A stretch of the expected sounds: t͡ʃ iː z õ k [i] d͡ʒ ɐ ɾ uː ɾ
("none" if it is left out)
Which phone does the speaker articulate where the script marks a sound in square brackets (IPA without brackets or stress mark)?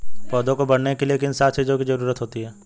i